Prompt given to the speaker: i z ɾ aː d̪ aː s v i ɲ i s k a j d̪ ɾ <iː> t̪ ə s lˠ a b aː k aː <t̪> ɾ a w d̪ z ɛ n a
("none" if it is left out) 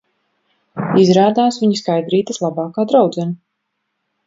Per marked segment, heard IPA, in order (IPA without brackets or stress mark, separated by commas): iː, d̪